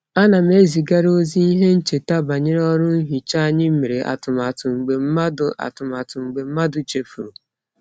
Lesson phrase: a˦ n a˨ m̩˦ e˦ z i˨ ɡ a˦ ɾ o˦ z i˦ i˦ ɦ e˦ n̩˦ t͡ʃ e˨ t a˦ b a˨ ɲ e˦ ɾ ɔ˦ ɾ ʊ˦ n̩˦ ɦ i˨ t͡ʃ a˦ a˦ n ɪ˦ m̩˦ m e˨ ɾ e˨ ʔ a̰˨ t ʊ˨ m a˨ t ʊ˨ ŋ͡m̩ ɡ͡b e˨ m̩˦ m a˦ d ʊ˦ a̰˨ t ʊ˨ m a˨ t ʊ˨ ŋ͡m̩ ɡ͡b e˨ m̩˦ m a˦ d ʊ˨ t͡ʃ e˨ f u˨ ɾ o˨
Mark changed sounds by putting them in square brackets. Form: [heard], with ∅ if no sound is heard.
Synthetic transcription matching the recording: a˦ n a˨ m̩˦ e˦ z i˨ ɡ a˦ ɾ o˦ z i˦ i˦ ɦ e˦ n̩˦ t͡ʃ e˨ t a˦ b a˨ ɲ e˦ ɾ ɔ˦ ɾ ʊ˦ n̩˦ ɦ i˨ t͡ʃ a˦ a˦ [ɲ] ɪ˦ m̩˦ m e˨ ɾ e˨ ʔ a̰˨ t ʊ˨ m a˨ t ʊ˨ ŋ͡m̩ ɡ͡b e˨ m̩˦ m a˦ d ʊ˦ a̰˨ t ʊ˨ m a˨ t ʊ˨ ŋ͡m̩ ɡ͡b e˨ m̩˦ m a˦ d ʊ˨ t͡ʃ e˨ f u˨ ɾ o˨